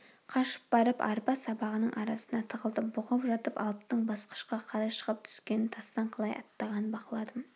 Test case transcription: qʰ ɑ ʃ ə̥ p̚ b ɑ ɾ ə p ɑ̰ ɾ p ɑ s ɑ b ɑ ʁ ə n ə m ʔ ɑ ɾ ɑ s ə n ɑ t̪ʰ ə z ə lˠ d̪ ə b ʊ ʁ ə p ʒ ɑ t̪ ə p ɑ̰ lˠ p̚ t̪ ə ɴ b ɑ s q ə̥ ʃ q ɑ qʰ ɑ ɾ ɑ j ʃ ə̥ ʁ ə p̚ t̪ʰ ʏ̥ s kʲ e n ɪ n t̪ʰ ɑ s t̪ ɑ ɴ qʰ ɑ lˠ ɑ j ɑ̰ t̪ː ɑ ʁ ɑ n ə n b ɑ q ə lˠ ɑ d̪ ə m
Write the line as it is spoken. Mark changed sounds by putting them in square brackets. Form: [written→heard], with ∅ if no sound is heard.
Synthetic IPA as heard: qʰ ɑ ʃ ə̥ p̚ b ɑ ɾ ə p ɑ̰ ɾ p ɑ s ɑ b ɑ ʁ ə n ə [m→ɴ] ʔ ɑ ɾ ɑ s ə n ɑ t̪ʰ ə [z→ʁ] ə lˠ d̪ ə b ʊ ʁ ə p ʒ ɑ t̪ ə p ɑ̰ lˠ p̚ t̪ ə ɴ b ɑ s q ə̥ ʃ q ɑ qʰ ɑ ɾ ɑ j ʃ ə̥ ʁ ə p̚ t̪ʰ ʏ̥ s kʲ e n ɪ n t̪ʰ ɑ s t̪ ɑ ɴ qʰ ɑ lˠ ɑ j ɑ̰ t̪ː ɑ ʁ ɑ n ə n b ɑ q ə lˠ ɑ d̪ ə m